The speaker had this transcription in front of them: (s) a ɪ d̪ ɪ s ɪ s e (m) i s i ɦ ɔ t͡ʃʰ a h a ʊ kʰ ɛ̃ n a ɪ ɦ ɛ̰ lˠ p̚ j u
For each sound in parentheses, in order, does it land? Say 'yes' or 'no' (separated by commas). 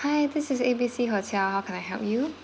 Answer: no, no